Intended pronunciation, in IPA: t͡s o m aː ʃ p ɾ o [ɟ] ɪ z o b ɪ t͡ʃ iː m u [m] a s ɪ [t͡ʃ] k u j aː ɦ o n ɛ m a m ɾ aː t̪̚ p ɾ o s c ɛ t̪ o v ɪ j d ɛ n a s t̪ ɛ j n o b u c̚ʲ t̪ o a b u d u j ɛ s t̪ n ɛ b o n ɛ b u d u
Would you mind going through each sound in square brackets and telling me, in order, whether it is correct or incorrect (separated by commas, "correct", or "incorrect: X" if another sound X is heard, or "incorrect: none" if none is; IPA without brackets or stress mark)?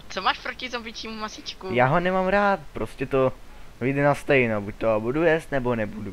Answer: incorrect: c, correct, correct